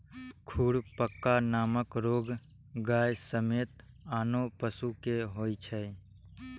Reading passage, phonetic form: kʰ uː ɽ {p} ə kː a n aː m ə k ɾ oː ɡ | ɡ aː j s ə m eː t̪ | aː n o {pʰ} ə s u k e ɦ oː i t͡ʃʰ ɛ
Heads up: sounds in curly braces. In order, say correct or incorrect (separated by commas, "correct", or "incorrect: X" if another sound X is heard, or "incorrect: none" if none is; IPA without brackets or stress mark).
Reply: correct, incorrect: p